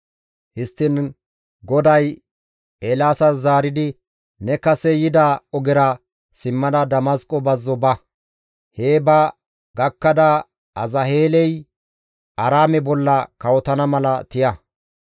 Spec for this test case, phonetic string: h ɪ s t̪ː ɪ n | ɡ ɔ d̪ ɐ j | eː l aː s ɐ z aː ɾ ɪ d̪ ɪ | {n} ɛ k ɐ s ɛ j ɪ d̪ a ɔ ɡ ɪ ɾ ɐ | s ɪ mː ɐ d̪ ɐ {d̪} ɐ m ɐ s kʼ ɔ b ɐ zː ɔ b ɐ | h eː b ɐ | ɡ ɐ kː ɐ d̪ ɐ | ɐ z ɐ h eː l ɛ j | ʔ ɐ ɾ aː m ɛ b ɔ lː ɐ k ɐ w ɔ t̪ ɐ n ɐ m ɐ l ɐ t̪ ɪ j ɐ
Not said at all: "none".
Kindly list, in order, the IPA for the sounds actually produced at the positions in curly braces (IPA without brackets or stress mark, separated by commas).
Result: n, d̪